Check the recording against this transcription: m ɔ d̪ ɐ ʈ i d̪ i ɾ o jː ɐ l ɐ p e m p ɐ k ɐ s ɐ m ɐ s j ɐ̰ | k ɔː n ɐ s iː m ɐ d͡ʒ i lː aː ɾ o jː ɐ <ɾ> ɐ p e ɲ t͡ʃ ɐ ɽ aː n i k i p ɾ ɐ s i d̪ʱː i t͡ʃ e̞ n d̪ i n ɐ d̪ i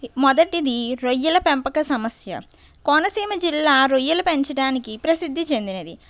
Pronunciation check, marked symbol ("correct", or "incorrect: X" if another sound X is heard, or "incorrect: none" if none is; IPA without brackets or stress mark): incorrect: l